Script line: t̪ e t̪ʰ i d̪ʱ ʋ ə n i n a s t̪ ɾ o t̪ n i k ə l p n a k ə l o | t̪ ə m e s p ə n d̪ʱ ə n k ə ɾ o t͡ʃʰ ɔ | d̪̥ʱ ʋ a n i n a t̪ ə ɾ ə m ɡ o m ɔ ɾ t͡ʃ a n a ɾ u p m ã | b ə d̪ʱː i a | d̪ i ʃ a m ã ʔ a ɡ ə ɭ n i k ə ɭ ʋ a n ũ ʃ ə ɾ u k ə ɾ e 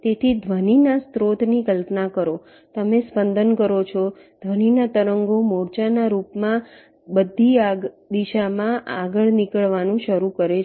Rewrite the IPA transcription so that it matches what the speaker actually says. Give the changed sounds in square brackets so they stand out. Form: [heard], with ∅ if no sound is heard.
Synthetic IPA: t̪ e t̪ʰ i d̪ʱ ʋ ə n i n a s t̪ ɾ o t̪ n i k ə l p n a k ə [ɾ] o | t̪ ə m e s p ə n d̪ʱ ə n k ə ɾ o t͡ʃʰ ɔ | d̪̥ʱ ʋ [ə] n i n a t̪ ə ɾ ə [ŋ] ɡ o m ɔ ɾ t͡ʃ a n a ɾ u p m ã | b ə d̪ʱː i a | d̪ i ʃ a m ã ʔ a ɡ ə ɭ n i k ə ɭ ʋ a n ũ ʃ ə ɾ u k ə ɾ e